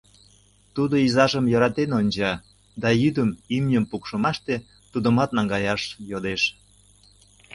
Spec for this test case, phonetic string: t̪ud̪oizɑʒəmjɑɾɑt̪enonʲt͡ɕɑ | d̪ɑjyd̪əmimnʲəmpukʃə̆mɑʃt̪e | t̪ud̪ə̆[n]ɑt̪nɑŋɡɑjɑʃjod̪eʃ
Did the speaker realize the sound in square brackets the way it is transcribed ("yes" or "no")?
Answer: no